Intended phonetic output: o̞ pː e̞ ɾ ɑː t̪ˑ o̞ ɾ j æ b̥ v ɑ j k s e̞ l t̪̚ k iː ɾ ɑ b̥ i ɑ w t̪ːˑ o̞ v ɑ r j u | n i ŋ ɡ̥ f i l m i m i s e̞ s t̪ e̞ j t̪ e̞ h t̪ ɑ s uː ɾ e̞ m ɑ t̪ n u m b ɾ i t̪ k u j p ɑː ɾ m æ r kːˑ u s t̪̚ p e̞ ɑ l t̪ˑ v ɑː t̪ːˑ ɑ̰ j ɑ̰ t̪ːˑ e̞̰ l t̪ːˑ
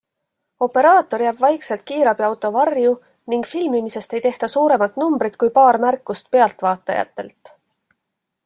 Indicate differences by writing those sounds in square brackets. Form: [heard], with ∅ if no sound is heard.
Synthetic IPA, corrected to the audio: o̞ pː e̞ ɾ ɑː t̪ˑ o̞ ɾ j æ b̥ v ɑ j k s e̞ l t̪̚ k iː ɾ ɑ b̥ i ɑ w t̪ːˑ o̞ v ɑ r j u | n i ŋ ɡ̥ f i l m i m i s e̞ s t̪ e̞ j t̪ e̞ h t̪ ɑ s uː ɾ e̞ m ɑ t̪ n u m b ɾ i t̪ k u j p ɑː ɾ m æ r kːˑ u s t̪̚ p e̞ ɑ l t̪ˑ v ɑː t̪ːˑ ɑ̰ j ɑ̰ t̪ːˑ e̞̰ l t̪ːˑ